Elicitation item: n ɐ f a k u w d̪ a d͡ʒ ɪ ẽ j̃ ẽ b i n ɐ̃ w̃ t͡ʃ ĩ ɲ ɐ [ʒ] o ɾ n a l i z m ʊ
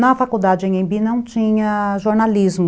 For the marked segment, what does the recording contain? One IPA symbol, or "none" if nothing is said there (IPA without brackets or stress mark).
ʒ